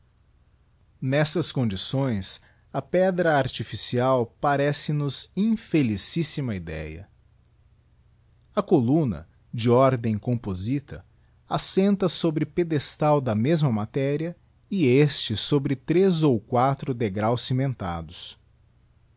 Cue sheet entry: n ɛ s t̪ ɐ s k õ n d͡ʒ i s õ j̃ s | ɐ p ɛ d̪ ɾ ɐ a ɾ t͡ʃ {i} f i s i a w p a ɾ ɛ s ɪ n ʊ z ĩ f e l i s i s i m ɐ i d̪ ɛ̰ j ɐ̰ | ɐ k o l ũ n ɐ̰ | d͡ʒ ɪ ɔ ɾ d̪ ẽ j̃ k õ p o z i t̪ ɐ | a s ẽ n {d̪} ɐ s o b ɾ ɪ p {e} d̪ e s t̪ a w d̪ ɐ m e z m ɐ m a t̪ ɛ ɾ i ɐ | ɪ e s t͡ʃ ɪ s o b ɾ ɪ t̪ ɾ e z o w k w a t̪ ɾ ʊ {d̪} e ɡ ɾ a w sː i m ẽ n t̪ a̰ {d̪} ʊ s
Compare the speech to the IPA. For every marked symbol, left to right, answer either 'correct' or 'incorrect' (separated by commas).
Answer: correct, incorrect, correct, correct, correct